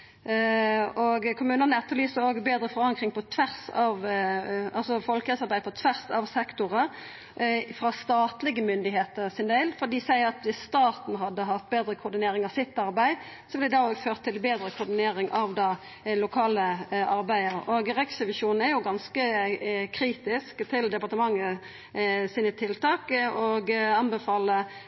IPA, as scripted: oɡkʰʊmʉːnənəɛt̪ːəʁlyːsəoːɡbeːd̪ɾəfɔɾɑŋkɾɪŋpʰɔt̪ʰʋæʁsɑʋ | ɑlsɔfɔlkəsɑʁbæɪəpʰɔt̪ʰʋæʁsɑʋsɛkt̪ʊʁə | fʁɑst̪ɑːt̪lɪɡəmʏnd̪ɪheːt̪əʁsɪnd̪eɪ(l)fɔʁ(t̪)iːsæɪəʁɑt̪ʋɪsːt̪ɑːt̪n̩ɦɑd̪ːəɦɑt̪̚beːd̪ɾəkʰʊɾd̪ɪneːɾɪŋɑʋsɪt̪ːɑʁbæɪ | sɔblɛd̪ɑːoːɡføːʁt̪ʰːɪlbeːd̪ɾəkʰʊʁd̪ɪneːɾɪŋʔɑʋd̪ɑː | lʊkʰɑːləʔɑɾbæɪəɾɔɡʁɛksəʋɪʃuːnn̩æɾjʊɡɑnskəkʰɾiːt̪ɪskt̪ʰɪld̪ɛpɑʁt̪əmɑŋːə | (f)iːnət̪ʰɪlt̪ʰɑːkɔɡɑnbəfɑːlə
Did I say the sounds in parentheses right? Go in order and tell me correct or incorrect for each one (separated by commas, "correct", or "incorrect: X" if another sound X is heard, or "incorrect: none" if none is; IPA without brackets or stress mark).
correct, incorrect: d̪, incorrect: s